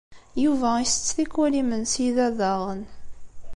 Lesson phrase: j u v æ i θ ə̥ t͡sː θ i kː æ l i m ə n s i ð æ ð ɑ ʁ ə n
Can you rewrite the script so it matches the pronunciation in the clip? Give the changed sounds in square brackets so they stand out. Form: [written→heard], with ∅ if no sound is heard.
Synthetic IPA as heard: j u v æ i [θ→s] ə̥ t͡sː θ i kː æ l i m ə n s i ð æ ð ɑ ʁ ə n